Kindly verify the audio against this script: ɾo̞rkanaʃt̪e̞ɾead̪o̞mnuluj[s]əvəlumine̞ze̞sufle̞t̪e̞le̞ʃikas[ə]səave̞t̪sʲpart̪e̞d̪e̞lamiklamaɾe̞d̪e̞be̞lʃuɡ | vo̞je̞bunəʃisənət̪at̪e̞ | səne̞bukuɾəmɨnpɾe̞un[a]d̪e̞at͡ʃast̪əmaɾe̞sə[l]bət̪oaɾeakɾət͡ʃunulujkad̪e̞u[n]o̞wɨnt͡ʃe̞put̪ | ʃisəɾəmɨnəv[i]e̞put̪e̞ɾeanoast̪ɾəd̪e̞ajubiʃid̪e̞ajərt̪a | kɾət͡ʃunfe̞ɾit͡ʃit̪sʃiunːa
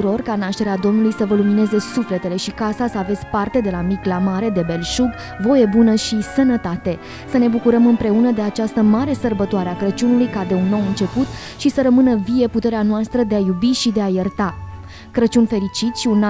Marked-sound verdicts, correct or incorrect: correct, incorrect, incorrect, incorrect, incorrect, correct

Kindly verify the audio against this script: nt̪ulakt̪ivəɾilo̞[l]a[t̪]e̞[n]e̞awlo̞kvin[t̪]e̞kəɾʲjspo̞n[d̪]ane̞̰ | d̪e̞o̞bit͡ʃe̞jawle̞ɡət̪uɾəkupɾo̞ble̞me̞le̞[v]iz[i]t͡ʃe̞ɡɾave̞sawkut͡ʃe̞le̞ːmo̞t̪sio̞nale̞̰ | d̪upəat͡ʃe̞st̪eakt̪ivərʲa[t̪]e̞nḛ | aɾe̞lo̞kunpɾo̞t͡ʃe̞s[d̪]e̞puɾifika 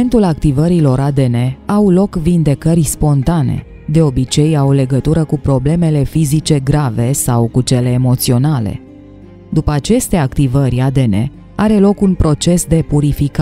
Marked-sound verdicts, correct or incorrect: incorrect, incorrect, correct, incorrect, incorrect, incorrect, correct, incorrect, correct

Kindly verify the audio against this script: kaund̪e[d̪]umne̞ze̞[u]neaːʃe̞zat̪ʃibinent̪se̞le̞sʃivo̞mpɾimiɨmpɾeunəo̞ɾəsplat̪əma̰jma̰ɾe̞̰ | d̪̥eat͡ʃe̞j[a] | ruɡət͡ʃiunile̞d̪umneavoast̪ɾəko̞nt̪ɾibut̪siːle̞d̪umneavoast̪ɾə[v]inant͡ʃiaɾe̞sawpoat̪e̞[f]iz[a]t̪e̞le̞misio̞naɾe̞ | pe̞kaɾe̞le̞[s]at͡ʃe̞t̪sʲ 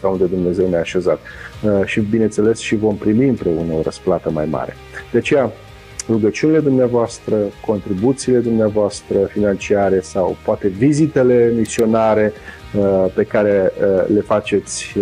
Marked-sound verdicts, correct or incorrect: correct, incorrect, correct, incorrect, incorrect, incorrect, incorrect

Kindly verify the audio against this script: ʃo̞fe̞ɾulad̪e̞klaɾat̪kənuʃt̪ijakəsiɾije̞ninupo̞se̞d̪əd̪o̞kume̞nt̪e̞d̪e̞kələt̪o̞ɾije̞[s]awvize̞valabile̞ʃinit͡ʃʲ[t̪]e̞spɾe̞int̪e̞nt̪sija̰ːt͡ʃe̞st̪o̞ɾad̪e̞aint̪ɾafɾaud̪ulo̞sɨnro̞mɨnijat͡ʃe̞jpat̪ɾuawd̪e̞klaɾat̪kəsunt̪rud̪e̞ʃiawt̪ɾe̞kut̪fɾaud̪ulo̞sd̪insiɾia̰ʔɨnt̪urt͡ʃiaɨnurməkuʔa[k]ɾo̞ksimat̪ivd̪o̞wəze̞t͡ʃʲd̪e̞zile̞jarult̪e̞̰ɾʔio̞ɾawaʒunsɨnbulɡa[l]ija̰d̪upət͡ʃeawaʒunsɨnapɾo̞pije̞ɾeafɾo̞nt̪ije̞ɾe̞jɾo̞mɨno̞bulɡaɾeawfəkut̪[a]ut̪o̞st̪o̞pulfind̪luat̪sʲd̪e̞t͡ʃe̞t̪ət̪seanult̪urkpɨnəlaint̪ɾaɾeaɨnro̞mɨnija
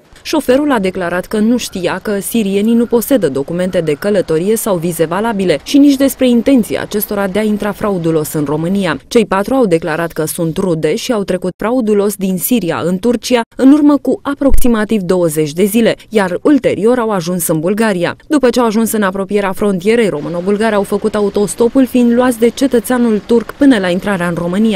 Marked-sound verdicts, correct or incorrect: correct, incorrect, incorrect, incorrect, correct

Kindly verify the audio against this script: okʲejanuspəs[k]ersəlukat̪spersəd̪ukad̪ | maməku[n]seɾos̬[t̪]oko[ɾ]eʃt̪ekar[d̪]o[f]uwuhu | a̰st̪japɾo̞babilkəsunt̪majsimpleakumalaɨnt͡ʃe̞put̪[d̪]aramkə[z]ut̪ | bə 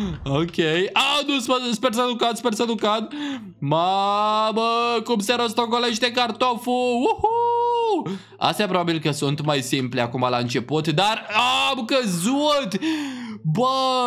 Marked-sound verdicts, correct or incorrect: incorrect, incorrect, correct, incorrect, incorrect, correct, correct, correct

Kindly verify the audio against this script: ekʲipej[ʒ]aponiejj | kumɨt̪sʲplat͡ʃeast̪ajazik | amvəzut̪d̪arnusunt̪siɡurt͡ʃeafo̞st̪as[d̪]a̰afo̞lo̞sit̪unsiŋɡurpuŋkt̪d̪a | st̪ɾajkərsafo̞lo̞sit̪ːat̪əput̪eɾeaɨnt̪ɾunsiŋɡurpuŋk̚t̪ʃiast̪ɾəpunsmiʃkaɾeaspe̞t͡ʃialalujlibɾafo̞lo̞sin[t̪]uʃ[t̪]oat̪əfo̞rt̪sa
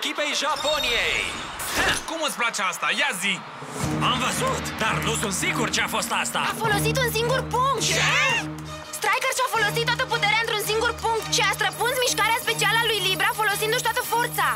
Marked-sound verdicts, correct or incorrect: correct, incorrect, incorrect, correct

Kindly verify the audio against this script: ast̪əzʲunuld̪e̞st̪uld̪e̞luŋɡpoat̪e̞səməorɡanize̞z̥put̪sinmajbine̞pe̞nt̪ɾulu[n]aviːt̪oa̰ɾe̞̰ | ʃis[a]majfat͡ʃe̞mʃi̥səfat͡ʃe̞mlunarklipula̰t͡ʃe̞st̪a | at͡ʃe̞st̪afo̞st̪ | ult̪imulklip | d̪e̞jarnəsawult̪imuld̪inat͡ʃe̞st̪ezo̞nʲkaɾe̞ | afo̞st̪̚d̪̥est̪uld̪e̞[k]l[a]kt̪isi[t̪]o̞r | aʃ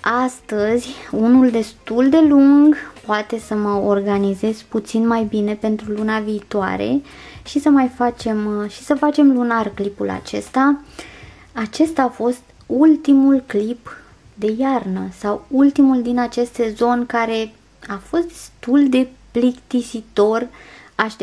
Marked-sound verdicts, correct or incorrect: correct, incorrect, incorrect, incorrect, correct

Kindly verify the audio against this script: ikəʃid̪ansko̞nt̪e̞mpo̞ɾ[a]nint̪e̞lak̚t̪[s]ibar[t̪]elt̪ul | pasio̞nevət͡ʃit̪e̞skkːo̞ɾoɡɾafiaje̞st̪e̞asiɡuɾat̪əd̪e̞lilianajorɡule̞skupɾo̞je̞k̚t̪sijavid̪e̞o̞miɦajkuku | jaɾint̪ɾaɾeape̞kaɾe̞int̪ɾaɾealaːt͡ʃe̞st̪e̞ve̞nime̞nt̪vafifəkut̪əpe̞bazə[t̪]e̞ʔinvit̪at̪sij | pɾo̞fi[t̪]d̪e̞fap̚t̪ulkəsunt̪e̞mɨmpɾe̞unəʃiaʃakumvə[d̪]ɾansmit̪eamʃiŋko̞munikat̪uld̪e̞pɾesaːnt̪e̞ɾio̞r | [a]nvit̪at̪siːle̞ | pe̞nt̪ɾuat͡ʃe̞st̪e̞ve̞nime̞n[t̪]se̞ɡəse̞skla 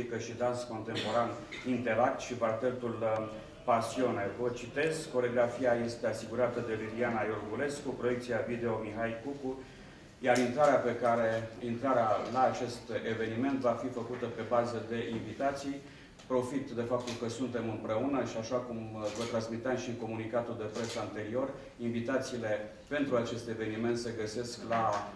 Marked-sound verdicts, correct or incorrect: correct, incorrect, correct, incorrect, correct, incorrect, incorrect, correct

